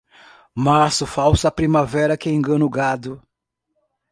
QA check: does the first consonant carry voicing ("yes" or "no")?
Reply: yes